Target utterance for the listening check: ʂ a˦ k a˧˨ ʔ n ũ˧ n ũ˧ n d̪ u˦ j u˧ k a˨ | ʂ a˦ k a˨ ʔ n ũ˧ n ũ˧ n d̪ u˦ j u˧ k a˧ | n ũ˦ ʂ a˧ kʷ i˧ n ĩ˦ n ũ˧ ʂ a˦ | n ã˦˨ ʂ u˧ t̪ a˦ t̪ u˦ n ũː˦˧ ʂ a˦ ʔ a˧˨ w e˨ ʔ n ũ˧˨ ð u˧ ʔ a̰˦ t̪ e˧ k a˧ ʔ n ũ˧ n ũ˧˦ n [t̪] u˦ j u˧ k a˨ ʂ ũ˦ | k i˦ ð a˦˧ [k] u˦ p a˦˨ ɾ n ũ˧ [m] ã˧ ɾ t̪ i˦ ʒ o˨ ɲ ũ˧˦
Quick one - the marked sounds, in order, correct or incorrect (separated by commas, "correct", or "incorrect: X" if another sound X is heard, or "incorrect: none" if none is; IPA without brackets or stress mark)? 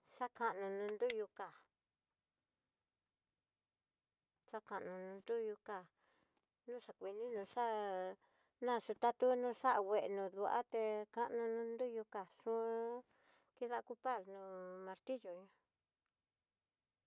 incorrect: d̪, correct, correct